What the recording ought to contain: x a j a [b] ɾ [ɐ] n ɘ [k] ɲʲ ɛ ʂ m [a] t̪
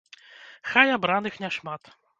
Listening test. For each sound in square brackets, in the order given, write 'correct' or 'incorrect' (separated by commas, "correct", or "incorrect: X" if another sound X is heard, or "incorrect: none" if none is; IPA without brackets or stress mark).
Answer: correct, incorrect: a, incorrect: x, correct